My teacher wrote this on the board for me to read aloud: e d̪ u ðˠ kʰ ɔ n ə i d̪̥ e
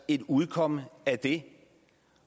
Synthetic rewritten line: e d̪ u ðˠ kʰ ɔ m ə æ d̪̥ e